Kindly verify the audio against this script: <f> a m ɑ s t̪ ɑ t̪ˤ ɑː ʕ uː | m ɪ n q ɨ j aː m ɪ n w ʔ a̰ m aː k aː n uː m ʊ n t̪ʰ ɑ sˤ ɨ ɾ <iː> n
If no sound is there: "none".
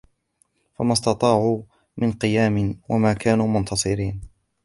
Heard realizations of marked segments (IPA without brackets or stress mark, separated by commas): f, iː